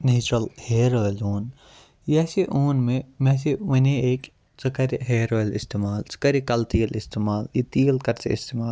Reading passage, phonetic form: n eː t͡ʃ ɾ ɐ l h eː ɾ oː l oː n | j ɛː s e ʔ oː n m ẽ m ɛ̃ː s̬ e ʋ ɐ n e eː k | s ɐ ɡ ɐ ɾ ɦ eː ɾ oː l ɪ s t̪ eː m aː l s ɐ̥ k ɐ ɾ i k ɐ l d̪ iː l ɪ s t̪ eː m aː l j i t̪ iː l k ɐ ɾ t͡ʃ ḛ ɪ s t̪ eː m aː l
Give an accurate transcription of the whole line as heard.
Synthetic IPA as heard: n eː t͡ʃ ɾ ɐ l h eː ɾ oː l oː n | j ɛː s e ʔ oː n m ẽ m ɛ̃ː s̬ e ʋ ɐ n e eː k | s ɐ k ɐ ɾ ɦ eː ɾ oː l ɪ s t̪ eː m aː l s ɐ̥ k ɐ ɾ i k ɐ l t̪ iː l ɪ s t̪ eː m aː l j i t̪ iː l k ɐ ɾ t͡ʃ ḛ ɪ s t̪ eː m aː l